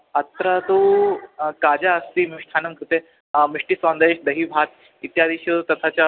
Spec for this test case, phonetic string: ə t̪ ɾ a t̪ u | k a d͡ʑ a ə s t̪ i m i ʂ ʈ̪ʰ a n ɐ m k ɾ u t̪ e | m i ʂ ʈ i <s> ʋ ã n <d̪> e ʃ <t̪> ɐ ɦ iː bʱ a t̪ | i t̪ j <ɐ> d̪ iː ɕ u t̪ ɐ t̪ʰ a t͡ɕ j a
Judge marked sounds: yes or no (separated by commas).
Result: yes, yes, no, no